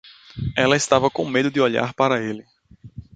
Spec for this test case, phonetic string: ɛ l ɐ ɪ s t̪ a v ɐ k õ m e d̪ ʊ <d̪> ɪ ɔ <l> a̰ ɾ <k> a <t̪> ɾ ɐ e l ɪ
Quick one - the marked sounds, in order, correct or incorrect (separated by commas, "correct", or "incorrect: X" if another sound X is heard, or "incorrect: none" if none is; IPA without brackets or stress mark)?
correct, incorrect: ʎ, incorrect: p, incorrect: none